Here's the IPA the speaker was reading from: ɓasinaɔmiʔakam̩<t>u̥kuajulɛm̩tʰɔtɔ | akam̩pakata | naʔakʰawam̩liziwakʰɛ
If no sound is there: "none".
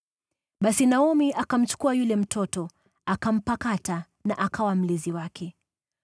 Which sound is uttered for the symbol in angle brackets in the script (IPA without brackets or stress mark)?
t͡ʃ